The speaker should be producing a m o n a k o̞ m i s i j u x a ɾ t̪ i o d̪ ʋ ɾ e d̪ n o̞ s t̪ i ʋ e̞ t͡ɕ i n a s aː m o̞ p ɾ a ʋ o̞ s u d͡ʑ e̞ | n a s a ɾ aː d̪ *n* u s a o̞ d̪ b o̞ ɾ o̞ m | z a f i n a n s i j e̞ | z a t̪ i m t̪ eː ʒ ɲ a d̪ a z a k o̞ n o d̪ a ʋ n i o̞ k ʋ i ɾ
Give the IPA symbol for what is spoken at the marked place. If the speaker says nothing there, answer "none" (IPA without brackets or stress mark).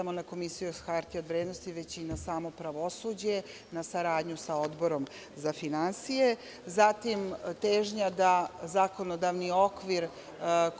ɲ